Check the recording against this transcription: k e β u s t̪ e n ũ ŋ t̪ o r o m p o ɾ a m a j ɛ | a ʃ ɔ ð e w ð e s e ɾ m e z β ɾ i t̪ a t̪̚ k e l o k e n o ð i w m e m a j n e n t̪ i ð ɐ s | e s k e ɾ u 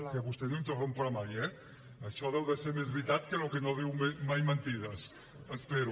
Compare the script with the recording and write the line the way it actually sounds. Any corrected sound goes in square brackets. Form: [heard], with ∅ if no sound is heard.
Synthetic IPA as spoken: k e β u s t̪ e n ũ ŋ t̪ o r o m p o ɾ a m a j ɛ | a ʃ ɔ ð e w ð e s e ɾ m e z β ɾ i t̪ a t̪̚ k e l o k e n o ð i w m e m a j [m] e n t̪ i ð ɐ s | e s [p] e ɾ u

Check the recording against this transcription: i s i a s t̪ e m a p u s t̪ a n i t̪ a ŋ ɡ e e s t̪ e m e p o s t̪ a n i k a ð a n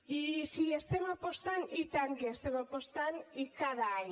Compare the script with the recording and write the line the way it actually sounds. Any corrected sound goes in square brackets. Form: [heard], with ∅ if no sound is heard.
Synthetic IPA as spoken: i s i [e] s t̪ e m a p [o] s t̪ a n i t̪ a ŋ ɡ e e s t̪ e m [a] p o s t̪ a n i k a ð a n

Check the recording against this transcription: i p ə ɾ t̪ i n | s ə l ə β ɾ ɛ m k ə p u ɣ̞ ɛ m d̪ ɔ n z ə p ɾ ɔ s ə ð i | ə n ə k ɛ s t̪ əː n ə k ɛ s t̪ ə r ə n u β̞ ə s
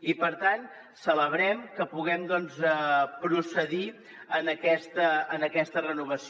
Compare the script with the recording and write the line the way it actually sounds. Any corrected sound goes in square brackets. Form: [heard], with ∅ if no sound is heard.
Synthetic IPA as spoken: i p ə ɾ t̪ [a] n | s ə l ə β ɾ ɛ m k ə p u ɣ̞ ɛ m d̪ ɔ n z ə p ɾ [u] s ə ð i | ə n ə k ɛ s t̪ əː n ə k ɛ s t̪ ə r ə n u β̞ ə s

